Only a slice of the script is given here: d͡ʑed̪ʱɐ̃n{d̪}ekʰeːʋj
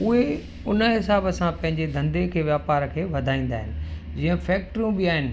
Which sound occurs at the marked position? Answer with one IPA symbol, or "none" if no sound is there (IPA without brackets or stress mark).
d̪